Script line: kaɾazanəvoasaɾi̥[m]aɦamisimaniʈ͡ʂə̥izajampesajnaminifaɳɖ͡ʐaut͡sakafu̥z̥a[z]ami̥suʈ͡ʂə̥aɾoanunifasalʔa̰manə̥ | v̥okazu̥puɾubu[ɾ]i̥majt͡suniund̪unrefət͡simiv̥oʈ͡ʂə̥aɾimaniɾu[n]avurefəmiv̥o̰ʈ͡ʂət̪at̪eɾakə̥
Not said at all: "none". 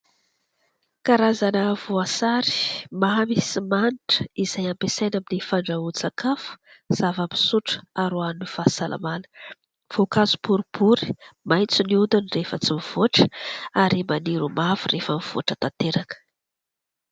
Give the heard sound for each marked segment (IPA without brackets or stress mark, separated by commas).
m, v, ɾ, m